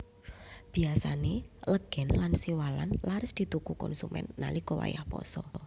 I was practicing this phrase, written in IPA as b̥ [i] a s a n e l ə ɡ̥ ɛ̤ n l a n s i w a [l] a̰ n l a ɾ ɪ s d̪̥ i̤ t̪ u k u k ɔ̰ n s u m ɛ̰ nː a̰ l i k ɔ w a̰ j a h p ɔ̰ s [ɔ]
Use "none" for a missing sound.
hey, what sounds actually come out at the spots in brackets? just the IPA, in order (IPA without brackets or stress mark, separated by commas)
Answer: i, l, ɔ